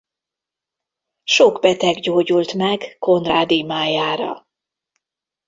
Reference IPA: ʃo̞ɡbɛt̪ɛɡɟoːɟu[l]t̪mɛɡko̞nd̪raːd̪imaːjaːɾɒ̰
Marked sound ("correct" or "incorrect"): correct